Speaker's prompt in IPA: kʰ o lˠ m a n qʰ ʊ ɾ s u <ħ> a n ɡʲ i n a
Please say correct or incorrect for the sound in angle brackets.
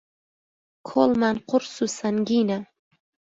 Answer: incorrect